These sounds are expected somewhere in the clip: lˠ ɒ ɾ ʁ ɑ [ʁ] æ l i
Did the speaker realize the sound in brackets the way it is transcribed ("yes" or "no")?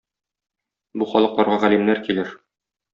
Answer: yes